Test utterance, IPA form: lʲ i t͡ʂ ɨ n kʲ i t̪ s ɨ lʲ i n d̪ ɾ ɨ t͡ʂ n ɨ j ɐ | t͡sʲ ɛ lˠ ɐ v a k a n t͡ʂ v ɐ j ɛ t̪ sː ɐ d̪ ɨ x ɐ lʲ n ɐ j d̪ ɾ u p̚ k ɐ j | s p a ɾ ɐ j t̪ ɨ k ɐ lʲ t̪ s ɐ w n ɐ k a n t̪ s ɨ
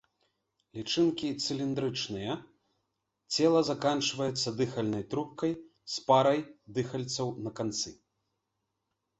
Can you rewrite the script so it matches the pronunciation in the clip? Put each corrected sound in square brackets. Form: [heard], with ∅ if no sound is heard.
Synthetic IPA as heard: lʲ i t͡ʂ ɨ n kʲ i t̪ s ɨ lʲ i n d̪ ɾ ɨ t͡ʂ n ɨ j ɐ | t͡sʲ ɛ lˠ ɐ [z] a k a n t͡ʂ v ɐ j ɛ t̪ sː ɐ d̪ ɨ x ɐ lʲ n ɐ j [t̪] ɾ u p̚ k ɐ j | s p a ɾ ɐ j [d̪] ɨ [x] ɐ lʲ t̪ s ɐ w n ɐ k a n t̪ s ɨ